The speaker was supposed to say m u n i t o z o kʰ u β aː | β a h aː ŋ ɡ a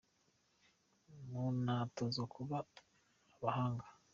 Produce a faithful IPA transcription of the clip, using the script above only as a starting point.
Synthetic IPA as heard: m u n a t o z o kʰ u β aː | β a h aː ŋ ɡ a